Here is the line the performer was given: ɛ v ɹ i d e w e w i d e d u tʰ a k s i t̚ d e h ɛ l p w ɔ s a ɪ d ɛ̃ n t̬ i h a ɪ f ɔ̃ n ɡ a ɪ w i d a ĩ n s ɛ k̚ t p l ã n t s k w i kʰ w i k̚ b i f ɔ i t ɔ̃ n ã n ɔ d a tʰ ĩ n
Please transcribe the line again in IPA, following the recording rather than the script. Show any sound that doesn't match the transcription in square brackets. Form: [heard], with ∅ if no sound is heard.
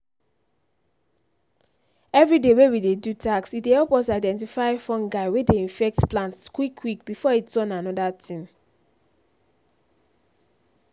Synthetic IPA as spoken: ɛ v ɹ i d e w e w i d e d u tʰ a k s i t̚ d e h ɛ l p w ɔ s a ɪ d ɛ̃ n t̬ i [f] a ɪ f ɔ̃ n ɡ a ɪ w [e] d [e] ĩ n [f] ɛ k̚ t p l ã n t s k w i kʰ w i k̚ b i f ɔ i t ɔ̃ n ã n ɔ d a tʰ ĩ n

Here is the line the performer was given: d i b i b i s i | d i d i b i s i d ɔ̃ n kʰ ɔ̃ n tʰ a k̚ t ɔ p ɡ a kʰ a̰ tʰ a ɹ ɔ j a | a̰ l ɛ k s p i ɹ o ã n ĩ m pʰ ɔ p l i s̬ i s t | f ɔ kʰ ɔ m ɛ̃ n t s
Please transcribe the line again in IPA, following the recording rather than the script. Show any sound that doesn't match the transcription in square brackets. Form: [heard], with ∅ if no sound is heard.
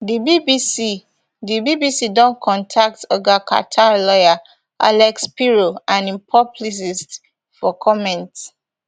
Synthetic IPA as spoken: d i b i b i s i | d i [b] i b i s i d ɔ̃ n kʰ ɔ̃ n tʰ a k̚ t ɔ [∅] ɡ a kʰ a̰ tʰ a [l] ɔ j a | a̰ l ɛ k s p i ɹ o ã n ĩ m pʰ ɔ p l i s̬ i s t | f ɔ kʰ ɔ m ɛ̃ n t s

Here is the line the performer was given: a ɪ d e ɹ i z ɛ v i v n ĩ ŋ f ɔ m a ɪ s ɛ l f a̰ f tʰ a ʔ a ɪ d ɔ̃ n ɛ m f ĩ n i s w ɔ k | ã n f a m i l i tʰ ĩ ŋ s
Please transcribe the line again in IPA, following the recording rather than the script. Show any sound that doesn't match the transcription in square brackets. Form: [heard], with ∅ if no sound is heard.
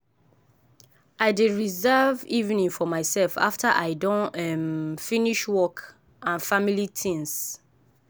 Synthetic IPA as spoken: a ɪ d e ɹ i z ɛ v i v n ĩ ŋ f ɔ m a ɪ s ɛ l f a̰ f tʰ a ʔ a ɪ d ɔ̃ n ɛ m f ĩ n i [ʃ] w ɔ k | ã n f a m i l i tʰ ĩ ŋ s

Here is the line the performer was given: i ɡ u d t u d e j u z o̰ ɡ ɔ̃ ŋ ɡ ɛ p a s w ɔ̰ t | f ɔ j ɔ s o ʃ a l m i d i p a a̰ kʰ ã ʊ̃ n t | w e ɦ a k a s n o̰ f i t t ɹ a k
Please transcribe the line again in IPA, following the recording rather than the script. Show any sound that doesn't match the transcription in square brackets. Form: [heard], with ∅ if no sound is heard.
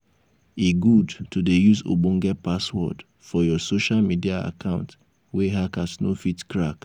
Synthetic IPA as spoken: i ɡ u d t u d e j u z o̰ [b] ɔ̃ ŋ ɡ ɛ p a s w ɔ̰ [d] | f ɔ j ɔ s o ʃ a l m i d i [∅] a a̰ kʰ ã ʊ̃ n t | w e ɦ a k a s n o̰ f i t [k] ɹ a k

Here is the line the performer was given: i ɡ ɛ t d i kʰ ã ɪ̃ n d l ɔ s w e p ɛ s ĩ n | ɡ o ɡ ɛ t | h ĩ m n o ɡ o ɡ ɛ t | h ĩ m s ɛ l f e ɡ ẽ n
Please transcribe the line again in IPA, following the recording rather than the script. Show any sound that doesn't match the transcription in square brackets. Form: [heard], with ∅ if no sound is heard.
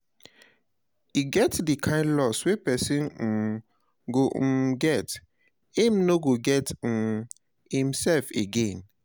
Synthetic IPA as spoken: i ɡ ɛ t d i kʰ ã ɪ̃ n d l ɔ s w e p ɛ s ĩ n | ɡ o ɡ ɛ t | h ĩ m n o ɡ o ɡ ɛ t | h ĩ m s ɛ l f e ɡ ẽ n

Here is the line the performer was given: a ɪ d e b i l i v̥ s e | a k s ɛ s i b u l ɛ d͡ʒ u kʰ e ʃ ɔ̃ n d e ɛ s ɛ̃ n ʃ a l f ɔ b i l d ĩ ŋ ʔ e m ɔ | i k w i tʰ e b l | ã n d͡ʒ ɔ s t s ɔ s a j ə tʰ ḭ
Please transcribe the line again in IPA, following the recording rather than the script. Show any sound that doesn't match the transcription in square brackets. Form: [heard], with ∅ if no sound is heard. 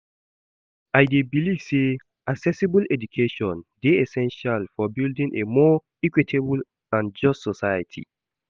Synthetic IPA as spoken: a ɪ d e b i l i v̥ s e | a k s ɛ s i b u l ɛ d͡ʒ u kʰ e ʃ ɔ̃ n d e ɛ s ɛ̃ n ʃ a l f ɔ b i l d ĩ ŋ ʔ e m ɔ | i k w i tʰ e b l | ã n d͡ʒ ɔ s t s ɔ s a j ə tʰ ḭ

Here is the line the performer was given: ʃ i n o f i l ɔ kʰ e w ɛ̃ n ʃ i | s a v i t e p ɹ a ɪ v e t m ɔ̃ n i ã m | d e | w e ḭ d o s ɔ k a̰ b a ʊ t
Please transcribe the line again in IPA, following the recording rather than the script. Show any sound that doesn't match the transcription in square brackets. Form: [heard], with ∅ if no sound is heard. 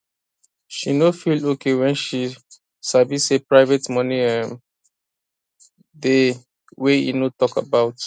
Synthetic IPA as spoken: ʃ i n o f i l [o] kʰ e w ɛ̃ n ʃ i | s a v i [s] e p ɹ a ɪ v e t m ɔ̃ n i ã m | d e | w e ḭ [n] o [t] ɔ k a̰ b a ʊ t

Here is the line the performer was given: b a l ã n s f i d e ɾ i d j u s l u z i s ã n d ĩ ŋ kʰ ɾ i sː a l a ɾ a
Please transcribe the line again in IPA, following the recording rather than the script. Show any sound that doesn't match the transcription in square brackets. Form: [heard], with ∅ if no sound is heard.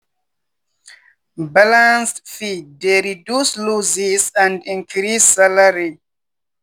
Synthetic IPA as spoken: b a l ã n s f i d e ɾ i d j u s l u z i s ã n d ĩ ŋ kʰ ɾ i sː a l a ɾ [i]

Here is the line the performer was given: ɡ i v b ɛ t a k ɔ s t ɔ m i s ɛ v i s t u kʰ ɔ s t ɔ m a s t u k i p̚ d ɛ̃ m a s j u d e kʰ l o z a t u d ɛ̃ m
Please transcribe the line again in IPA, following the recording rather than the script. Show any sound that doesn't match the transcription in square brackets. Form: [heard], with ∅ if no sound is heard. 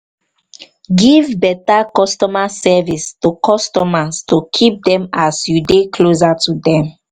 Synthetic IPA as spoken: ɡ i v b ɛ t a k ɔ s t ɔ m [a] s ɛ v i s t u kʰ ɔ s t ɔ m a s t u [kʰ] i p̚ d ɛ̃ m a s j u d e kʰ l o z a t u d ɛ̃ m

